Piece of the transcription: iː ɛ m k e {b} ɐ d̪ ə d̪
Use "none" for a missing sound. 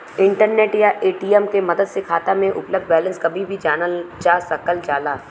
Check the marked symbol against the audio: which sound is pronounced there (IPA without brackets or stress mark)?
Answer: m